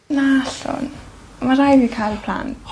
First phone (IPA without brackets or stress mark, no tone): n